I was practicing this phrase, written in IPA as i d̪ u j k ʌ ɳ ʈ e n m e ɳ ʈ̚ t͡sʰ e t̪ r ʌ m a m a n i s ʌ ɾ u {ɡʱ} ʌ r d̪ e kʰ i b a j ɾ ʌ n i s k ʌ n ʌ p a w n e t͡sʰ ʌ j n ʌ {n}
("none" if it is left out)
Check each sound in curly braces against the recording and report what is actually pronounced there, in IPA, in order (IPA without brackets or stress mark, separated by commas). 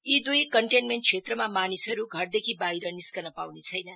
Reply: ɡʱ, none